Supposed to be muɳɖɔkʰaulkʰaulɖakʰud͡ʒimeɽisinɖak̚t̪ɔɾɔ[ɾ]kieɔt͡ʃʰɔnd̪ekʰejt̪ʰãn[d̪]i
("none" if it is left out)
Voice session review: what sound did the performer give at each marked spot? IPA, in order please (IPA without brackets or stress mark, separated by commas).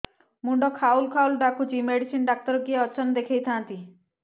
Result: none, t̪